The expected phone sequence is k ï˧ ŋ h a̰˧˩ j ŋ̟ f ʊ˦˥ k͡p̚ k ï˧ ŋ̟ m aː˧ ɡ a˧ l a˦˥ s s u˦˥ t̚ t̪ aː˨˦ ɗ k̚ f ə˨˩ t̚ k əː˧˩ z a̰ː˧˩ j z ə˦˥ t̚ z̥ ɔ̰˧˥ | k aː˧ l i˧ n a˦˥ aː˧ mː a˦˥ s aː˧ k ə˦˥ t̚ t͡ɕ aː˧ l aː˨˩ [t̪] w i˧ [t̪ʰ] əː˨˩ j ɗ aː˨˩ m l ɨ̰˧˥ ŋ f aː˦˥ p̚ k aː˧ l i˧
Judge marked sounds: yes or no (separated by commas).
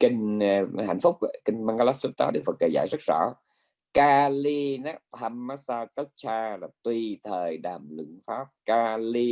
yes, yes